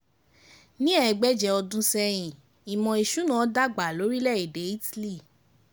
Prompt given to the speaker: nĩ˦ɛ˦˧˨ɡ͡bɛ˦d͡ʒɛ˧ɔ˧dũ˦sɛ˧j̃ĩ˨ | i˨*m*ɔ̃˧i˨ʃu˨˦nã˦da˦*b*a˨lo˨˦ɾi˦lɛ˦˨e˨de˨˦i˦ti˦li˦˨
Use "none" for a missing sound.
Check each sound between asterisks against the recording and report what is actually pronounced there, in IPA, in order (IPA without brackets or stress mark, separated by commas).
m, ɡ͡b